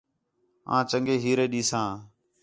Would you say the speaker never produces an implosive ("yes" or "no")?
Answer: no